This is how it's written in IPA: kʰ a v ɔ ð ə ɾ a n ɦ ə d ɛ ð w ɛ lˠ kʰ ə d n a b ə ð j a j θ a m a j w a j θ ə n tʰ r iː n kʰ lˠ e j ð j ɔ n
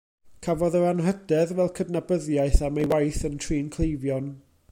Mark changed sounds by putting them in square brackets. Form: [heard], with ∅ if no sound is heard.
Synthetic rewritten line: kʰ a v ɔ ð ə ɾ a n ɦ ə d ɛ ð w ɛ lˠ kʰ ə d n a b ə ð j a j θ a m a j w a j θ ə n tʰ r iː n kʰ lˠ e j [v] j ɔ n

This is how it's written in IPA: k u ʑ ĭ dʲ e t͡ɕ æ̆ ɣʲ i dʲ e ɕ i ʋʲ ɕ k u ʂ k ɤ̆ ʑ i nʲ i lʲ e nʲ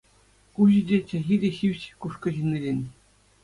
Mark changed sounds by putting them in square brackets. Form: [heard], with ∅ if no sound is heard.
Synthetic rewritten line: k u ʑ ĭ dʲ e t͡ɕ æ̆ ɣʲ i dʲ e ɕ i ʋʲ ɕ k u ʂ k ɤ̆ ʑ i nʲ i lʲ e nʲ

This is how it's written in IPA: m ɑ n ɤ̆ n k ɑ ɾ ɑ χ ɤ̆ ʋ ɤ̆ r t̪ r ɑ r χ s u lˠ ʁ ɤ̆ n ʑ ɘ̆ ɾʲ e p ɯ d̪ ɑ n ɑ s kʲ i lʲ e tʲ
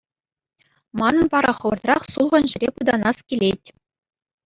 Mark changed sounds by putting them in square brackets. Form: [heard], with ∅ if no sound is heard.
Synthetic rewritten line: m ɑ n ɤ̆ n [p] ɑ ɾ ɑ χ ɤ̆ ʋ ɤ̆ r t̪ r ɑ [∅] χ s u lˠ ʁ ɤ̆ n ʑ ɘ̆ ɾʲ e p ɯ d̪ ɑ n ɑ s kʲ i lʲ e tʲ

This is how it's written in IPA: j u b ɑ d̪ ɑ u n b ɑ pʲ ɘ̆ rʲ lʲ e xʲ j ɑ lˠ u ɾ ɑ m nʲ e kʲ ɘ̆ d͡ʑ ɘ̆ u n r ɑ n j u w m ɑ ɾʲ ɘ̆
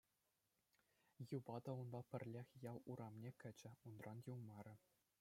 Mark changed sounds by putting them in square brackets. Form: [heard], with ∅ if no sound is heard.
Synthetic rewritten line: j u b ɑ d̪ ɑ u n b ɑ pʲ ɘ̆ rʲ lʲ e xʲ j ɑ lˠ u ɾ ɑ m nʲ e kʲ ɘ̆ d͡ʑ ɘ̆ u n r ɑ n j u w m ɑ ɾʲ ɘ̆

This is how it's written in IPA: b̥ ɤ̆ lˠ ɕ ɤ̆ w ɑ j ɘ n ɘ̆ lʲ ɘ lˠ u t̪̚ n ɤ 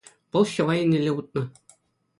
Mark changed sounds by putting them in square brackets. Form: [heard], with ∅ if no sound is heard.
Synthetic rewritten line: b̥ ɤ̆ lˠ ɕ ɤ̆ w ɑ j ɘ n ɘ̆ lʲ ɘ [∅] u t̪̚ n ɤ

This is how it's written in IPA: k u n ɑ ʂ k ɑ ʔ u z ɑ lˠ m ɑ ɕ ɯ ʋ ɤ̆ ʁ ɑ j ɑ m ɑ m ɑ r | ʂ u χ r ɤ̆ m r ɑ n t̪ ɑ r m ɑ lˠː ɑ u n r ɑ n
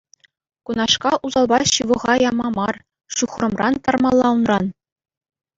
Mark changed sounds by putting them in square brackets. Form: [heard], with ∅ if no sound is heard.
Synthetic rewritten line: k u n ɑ ʂ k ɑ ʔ u z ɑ lˠ [b] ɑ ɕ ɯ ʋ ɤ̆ ʁ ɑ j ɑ m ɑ m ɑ r | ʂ u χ r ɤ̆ m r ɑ n t̪ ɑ r m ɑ lˠː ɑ u n r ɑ n

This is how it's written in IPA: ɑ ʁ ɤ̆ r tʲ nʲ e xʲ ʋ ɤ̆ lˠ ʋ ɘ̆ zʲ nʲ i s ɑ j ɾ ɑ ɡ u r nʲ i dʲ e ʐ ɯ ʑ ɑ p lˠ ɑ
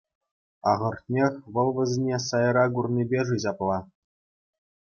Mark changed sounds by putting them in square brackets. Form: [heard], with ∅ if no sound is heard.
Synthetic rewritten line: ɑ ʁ ɤ̆ r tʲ nʲ e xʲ ʋ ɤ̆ lˠ ʋ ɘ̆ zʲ nʲ [e] s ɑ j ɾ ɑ ɡ u r nʲ i [bʲ] e ʐ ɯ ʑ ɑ p lˠ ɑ

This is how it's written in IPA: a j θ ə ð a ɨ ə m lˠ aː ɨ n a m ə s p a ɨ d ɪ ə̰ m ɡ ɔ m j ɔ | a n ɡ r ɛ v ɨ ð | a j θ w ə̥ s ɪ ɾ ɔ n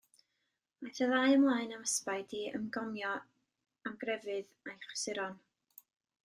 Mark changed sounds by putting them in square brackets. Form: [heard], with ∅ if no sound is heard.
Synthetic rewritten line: a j θ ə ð a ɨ ə m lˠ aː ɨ n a m ə s p a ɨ d [i] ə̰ m ɡ ɔ m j ɔ | a [m] ɡ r ɛ v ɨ ð | a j [χ] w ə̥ s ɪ ɾ ɔ n

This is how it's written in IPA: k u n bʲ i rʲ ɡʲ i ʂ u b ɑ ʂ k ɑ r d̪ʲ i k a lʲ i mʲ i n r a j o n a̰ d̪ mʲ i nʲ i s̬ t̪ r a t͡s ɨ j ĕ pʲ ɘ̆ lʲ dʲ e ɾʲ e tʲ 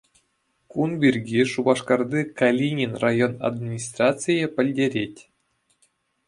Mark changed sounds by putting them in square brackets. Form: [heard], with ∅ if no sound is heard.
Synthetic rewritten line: k u n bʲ i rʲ ɡʲ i ʂ u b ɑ ʂ k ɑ r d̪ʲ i k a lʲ i [nʲ] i n r a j o n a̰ d̪ mʲ i nʲ i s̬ t̪ r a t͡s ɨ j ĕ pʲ ɘ̆ lʲ dʲ e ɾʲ e tʲ

